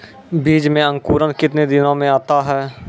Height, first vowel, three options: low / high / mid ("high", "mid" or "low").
high